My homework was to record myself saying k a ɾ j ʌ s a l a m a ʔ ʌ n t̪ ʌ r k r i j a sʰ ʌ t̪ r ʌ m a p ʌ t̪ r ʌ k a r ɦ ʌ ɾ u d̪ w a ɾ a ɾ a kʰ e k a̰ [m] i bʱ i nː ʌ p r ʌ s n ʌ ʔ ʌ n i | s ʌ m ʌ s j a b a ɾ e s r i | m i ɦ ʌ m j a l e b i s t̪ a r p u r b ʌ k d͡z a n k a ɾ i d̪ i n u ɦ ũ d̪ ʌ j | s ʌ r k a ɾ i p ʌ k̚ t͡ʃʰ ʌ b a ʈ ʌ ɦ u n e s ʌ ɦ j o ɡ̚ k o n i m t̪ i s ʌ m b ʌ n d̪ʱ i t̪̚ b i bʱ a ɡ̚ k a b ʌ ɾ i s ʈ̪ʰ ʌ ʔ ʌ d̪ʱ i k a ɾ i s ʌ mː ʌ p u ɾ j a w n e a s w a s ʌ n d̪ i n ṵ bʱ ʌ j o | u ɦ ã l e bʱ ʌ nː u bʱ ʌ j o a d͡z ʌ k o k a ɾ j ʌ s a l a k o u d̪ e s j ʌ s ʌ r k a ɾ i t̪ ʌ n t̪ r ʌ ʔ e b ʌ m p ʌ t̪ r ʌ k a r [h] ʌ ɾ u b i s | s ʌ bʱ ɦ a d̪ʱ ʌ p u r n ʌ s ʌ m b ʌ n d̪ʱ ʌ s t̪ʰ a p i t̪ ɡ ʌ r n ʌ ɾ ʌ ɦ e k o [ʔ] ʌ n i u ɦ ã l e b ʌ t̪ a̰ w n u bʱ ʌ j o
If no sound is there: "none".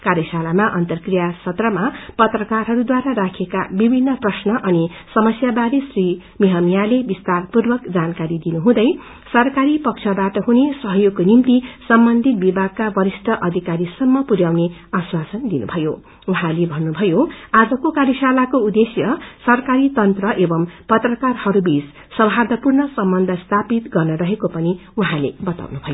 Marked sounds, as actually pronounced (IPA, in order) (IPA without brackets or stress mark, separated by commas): b, h, p